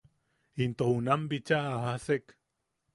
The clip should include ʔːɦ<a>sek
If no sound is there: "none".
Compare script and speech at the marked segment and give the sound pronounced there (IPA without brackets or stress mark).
a